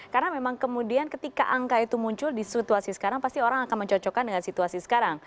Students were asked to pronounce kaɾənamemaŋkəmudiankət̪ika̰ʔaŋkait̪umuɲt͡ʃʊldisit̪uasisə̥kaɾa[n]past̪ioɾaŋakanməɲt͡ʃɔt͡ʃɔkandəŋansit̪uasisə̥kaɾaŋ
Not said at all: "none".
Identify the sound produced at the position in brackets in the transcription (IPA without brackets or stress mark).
ŋ